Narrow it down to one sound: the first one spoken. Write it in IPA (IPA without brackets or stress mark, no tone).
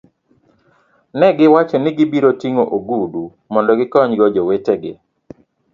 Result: n